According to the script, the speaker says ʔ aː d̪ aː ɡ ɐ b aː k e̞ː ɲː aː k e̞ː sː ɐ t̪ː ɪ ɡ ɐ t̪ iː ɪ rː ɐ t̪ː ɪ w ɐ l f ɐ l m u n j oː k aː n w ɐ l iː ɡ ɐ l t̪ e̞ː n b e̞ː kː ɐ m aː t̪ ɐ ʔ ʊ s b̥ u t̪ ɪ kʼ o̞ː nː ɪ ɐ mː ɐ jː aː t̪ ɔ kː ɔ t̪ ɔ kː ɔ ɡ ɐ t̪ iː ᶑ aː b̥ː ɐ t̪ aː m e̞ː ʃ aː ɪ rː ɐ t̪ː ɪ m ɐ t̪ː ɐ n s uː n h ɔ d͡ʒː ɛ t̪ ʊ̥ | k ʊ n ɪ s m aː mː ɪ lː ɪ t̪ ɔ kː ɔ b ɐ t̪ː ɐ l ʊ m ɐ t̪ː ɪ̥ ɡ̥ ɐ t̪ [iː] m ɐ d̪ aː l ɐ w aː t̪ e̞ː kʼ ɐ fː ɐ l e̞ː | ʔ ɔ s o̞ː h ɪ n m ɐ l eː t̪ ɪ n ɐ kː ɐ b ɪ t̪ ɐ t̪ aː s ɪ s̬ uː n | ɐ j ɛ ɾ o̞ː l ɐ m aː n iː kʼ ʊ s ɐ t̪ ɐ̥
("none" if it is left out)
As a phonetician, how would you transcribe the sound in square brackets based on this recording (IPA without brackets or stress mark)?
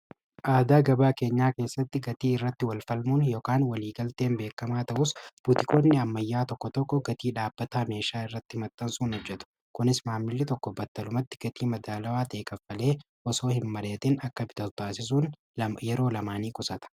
iː